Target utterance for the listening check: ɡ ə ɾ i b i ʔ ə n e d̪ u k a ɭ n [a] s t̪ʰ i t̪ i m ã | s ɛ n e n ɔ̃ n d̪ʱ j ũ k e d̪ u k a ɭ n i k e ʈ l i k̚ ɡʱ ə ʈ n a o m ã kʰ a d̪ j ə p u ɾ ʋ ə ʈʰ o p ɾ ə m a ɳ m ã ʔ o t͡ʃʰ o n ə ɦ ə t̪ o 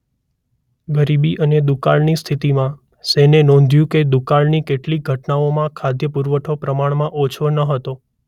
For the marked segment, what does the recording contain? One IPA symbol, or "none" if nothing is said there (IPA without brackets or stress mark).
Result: i